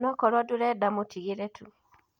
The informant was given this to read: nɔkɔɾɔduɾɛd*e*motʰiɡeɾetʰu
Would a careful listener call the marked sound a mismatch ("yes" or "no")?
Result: yes